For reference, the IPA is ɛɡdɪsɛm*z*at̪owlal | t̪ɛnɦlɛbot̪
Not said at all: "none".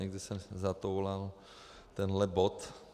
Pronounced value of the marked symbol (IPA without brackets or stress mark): z